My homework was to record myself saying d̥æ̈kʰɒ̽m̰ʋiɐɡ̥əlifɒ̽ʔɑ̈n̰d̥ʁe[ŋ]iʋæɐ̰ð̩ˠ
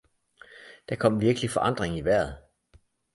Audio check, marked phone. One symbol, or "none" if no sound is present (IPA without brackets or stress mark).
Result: ŋ